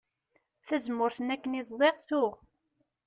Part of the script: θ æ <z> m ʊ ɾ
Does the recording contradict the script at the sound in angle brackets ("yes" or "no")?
no